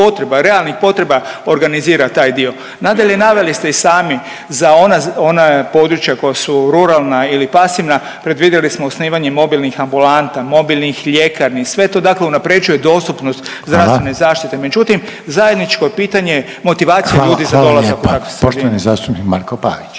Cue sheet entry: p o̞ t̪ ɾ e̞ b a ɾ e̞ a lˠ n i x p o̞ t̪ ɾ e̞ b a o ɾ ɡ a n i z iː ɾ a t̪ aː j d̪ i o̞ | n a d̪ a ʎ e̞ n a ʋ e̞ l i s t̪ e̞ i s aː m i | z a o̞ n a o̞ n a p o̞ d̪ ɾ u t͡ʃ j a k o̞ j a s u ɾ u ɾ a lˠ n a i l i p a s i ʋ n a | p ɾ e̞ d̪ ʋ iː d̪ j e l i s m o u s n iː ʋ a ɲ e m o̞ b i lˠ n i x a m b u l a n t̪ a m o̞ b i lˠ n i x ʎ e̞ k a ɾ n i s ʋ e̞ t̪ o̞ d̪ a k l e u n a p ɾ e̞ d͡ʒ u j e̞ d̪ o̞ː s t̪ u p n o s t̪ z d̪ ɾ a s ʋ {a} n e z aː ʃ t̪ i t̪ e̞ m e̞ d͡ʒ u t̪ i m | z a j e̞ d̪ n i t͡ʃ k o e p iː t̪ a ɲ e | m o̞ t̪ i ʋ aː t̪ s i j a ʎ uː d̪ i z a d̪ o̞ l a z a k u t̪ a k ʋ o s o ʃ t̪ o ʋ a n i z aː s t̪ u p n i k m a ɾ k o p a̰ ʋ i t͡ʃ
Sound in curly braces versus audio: incorrect: e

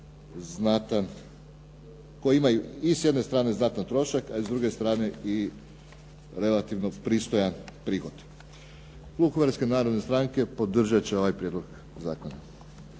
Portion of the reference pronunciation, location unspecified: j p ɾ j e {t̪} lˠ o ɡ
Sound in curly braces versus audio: incorrect: d̪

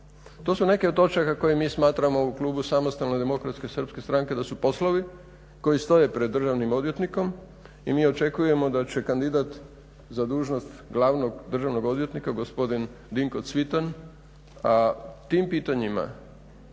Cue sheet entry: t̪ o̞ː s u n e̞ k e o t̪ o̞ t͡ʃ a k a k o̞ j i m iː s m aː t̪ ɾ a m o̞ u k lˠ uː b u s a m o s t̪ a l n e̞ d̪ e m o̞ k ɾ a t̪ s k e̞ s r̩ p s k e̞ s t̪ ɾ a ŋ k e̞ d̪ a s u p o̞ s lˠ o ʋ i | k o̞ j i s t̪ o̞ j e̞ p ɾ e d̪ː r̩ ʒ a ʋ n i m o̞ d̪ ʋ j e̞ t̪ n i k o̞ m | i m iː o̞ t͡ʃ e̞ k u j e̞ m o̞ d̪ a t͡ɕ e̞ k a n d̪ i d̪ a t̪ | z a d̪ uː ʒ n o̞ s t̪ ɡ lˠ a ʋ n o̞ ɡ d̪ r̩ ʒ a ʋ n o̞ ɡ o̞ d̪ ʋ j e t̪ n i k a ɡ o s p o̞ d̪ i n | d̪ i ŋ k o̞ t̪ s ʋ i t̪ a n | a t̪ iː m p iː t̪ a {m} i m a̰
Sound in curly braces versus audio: incorrect: ɲ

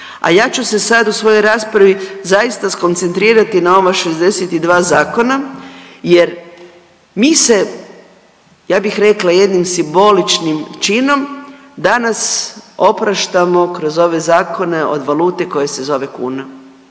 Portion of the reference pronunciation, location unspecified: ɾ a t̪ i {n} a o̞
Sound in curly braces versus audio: correct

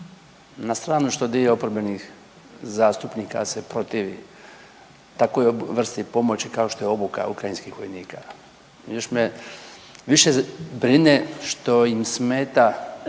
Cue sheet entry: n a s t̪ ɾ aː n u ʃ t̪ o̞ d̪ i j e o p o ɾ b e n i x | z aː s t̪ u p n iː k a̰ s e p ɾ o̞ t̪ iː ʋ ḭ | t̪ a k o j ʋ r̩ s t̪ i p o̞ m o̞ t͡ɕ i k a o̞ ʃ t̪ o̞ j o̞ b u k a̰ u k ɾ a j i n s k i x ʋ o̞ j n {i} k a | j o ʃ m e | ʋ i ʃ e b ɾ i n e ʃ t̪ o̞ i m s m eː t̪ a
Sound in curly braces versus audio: incorrect: iː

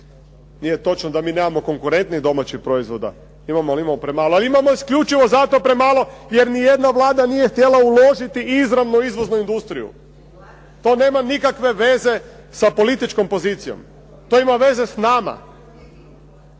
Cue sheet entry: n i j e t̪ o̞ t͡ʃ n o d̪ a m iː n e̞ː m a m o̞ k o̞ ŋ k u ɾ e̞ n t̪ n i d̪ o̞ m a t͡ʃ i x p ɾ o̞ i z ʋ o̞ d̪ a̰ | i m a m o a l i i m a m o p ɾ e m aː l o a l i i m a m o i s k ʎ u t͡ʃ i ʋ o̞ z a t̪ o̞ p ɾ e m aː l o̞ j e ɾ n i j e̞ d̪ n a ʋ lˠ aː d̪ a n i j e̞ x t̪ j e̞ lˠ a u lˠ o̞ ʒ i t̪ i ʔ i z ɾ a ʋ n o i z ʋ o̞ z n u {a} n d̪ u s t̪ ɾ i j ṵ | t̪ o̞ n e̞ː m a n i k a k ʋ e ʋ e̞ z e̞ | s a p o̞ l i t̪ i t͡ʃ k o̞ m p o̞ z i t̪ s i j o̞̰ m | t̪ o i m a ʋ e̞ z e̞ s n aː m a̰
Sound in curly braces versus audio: incorrect: i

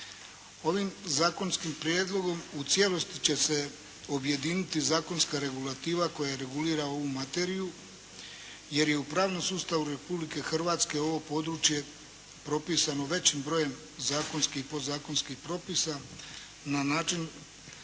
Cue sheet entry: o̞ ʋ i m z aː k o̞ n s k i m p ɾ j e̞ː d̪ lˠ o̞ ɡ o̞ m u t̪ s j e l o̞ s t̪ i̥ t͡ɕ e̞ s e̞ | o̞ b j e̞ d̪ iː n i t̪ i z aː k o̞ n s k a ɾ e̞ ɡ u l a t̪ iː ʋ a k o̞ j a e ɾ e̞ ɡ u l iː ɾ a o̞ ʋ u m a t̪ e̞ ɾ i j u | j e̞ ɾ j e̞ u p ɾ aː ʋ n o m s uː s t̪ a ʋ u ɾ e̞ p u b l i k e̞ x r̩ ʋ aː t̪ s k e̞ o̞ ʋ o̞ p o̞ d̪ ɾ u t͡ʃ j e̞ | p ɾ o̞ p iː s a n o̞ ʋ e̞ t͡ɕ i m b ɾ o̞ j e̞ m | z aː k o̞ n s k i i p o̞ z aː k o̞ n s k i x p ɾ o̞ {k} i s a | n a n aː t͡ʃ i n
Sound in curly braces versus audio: incorrect: p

